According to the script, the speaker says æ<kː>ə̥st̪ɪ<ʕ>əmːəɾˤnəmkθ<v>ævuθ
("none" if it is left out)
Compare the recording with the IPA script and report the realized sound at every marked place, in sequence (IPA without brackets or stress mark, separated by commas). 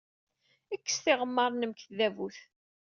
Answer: kː, ʁ, ð